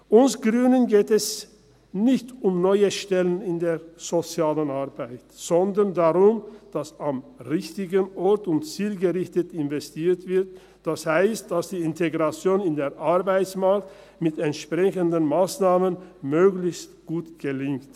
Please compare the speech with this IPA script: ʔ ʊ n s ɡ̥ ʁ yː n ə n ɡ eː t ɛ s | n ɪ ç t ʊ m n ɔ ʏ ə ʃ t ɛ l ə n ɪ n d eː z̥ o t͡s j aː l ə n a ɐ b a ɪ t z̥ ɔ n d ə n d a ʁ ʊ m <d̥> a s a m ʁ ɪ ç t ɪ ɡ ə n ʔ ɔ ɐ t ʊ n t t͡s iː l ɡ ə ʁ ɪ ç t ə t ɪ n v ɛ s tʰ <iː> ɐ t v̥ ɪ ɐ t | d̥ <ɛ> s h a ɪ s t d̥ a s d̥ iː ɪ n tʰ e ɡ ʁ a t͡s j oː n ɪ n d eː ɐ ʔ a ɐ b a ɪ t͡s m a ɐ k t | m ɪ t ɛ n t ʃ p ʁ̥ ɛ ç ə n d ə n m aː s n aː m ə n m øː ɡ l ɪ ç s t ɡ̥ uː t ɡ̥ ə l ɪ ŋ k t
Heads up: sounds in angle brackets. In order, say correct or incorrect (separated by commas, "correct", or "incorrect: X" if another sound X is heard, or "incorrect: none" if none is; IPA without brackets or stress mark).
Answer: correct, correct, incorrect: a